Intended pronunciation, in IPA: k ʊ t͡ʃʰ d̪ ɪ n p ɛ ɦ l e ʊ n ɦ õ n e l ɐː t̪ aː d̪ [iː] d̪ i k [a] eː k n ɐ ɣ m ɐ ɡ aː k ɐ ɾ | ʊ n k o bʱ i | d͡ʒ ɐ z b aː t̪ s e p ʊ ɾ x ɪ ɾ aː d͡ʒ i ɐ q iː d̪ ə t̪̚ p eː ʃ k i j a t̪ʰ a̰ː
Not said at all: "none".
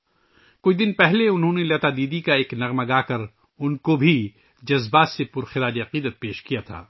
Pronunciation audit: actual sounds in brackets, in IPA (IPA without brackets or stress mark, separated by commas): iː, a